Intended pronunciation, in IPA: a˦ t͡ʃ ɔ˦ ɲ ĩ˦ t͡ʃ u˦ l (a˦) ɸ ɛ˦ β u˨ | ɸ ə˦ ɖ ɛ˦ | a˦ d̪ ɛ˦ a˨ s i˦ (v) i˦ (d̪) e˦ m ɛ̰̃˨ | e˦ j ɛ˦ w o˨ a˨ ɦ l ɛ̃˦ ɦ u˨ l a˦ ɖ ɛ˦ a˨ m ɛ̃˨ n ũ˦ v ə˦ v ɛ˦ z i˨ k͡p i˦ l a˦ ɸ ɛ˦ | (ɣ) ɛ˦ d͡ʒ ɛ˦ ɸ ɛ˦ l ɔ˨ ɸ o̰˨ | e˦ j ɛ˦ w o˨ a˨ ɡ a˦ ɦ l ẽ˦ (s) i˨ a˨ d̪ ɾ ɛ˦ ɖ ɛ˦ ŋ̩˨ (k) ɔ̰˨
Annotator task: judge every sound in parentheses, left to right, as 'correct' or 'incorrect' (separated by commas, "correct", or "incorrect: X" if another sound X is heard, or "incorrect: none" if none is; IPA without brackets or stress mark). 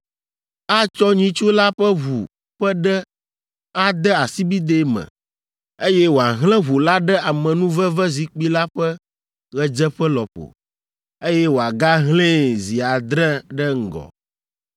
correct, incorrect: b, correct, correct, incorrect: z, incorrect: ɡ